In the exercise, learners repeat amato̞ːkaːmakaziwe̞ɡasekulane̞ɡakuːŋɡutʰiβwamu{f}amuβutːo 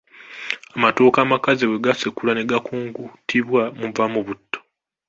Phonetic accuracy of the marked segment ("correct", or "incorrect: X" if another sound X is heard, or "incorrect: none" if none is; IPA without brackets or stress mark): incorrect: v